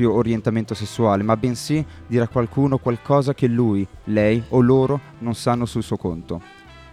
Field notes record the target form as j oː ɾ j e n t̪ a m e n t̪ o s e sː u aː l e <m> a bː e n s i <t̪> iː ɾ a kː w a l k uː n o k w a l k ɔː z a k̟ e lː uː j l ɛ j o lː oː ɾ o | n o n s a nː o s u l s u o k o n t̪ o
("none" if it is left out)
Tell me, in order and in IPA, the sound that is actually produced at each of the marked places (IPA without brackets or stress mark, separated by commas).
m, d̪